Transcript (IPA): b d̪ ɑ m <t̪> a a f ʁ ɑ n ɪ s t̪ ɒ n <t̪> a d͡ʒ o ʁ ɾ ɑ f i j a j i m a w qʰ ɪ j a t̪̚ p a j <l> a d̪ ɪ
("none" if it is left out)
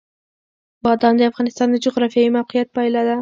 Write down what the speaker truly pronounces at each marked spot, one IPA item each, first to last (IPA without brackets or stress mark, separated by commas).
d̪, d̪, l